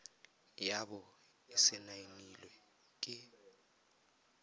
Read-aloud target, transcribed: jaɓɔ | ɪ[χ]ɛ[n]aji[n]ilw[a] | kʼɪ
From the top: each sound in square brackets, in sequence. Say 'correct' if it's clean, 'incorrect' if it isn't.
incorrect: s, correct, correct, incorrect: ɛ

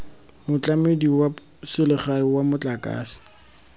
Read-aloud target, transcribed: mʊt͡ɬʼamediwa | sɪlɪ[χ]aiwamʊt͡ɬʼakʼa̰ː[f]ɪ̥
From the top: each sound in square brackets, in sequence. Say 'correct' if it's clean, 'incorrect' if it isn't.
correct, incorrect: s

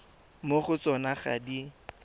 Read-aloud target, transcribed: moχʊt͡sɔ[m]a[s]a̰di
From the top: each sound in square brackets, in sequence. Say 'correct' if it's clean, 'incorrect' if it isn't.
incorrect: n, incorrect: χ

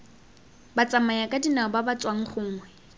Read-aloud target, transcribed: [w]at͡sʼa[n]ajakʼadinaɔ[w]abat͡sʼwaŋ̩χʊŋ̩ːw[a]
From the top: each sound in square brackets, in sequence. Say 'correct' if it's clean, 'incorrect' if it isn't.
incorrect: b, incorrect: m, incorrect: b, incorrect: ɛ

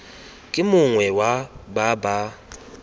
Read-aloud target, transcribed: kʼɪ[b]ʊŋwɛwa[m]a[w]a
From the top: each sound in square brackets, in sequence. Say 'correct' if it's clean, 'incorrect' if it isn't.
incorrect: m, incorrect: b, incorrect: b

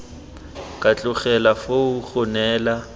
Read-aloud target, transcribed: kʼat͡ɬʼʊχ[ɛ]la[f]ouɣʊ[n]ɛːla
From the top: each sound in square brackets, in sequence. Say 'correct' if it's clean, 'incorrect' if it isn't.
correct, correct, correct

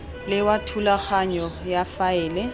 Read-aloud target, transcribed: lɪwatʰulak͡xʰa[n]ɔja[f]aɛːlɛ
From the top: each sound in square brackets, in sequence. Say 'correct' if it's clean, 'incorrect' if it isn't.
incorrect: ɲ, correct

